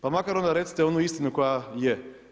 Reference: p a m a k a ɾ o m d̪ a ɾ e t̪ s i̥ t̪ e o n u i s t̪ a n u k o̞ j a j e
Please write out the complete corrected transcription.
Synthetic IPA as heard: p a m a k a ɾ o n d̪ a ɾ e t̪ s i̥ t̪ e o n u i s t̪ i n u k o̞ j a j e